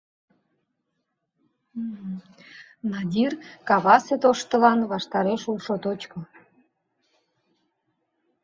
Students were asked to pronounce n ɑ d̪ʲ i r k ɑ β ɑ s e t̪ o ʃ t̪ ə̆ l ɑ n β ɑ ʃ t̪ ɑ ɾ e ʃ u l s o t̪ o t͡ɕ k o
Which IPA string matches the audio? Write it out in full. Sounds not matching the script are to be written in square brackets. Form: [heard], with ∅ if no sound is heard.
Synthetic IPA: n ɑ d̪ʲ i r k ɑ β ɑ s e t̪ o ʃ t̪ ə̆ l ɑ n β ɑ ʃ t̪ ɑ ɾ e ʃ u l [ʃ] o t̪ o t͡ɕ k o